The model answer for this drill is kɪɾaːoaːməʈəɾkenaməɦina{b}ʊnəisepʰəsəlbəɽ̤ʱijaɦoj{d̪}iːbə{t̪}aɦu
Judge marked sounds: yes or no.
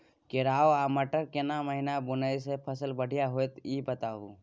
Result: yes, no, yes

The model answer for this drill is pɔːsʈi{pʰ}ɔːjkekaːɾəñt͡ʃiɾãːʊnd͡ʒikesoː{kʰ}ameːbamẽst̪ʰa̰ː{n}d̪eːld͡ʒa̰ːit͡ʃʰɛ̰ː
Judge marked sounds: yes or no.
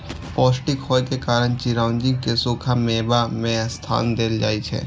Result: no, yes, yes

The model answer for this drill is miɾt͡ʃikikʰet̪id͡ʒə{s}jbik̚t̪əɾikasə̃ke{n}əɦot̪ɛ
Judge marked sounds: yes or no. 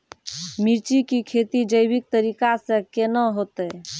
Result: no, yes

